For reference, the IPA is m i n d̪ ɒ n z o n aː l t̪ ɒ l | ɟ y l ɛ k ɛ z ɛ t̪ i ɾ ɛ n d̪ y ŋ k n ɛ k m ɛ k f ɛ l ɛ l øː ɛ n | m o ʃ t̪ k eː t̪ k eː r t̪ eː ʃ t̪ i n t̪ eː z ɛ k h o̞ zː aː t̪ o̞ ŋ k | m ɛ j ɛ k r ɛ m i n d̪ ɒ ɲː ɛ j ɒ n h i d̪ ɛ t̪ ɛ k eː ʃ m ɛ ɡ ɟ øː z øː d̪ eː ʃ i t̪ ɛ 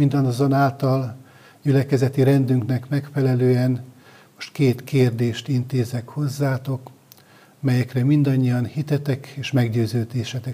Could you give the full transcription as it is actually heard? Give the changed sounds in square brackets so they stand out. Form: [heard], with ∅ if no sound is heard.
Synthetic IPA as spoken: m i n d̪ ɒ n z o n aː l t̪ ɒ l | ɟ y l ɛ k ɛ z ɛ t̪ i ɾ ɛ n d̪ y ŋ k n ɛ k m ɛ k f ɛ l ɛ l øː ɛ n | m o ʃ t̪ k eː t̪ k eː r [d̪] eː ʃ t̪ i n t̪ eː z ɛ k h o̞ zː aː t̪ o̞ [∅] k | m ɛ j ɛ k r ɛ m i n d̪ ɒ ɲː [i] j ɒ n h i [t̪] ɛ t̪ ɛ k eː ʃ m ɛ ɡ ɟ øː z øː d̪ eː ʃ [ɛ] t̪ ɛ